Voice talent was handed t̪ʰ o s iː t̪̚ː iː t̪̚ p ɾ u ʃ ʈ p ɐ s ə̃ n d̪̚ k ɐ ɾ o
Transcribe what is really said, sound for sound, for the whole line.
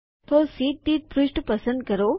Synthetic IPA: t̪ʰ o s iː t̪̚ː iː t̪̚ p ɾ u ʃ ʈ p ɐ s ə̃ n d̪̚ k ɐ ɾ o